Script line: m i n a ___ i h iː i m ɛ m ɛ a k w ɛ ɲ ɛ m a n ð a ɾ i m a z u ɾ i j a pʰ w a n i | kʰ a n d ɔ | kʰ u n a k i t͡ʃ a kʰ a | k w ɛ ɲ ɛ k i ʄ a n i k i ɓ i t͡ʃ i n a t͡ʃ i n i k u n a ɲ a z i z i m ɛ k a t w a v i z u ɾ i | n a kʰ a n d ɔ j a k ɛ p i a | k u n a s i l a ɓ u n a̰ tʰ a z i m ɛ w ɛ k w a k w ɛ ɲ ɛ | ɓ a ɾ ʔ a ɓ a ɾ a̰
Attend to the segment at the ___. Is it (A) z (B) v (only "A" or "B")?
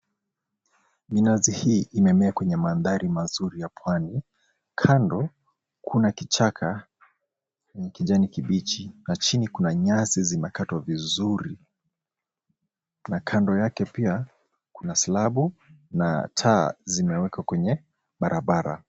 A